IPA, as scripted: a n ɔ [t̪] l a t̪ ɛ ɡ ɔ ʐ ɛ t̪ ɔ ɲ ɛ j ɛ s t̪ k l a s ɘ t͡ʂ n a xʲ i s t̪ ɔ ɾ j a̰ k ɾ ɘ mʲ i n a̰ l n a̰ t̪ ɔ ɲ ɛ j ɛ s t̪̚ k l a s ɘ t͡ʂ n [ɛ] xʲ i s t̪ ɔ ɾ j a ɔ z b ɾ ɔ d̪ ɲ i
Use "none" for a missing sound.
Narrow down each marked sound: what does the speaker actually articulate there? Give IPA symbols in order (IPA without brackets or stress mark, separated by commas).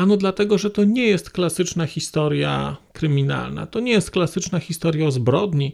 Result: d̪, a